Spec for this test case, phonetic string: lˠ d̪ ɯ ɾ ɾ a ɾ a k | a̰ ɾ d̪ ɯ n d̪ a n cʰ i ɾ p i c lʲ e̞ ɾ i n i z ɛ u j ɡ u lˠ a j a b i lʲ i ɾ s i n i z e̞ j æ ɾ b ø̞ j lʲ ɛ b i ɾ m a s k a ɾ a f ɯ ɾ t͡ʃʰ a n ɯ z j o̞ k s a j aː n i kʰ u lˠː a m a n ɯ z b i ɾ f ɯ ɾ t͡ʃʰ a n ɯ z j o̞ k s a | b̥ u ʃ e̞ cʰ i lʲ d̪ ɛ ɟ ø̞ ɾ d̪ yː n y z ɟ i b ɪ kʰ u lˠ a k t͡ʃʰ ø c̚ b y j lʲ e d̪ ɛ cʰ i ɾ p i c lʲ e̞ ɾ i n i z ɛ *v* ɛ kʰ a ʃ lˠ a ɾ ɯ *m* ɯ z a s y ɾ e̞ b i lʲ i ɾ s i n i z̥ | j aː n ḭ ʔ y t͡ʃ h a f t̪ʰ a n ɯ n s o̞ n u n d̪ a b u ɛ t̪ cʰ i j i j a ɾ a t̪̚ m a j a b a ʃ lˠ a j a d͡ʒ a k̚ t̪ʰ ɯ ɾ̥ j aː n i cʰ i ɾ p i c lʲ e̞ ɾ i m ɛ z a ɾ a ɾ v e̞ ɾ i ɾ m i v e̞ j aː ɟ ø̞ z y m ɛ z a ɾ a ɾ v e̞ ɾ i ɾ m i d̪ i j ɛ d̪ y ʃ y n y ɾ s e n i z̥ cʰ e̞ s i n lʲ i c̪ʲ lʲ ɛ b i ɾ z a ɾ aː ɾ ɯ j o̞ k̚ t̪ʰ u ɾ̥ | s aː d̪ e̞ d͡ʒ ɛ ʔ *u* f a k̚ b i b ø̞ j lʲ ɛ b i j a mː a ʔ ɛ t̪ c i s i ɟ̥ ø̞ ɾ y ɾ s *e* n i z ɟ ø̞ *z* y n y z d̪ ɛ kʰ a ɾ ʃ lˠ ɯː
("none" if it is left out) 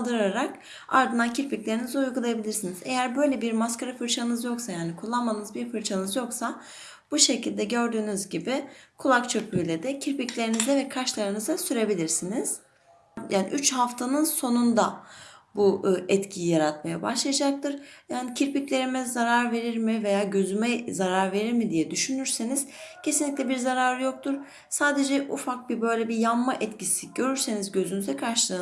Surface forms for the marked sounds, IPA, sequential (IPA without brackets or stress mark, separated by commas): v, n, u, e, z